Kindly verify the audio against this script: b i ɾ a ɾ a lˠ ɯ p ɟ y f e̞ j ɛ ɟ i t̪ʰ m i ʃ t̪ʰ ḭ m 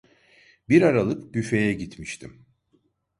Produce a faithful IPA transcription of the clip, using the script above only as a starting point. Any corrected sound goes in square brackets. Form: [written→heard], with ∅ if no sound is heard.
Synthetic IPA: b i ɾ a ɾ a lˠ ɯ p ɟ y f e̞ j ɛ ɟ i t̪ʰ m i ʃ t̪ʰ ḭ m